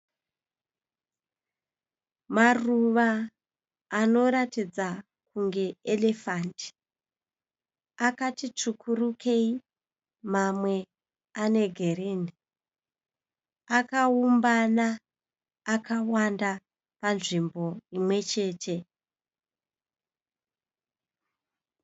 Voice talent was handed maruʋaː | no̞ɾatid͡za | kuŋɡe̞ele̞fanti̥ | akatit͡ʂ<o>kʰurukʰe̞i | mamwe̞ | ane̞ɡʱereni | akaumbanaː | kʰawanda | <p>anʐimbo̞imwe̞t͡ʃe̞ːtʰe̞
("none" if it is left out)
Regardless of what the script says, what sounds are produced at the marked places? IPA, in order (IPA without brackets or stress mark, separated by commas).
u, p